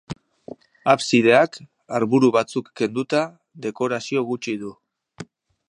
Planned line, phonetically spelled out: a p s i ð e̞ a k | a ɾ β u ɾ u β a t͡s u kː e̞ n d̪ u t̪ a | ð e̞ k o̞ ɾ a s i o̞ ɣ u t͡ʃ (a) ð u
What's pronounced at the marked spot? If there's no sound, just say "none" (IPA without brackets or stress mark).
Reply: i